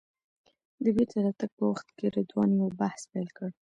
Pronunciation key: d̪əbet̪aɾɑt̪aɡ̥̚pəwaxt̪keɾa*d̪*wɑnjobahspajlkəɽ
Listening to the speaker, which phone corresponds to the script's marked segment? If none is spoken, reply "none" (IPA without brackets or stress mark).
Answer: d̪